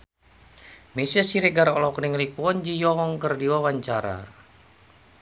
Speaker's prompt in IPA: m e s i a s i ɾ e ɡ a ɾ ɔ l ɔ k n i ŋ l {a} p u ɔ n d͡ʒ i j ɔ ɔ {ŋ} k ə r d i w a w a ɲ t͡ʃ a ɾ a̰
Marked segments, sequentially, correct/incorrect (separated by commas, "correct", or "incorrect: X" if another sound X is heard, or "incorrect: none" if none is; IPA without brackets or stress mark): incorrect: i, correct